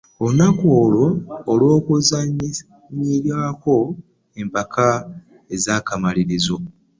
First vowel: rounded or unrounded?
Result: rounded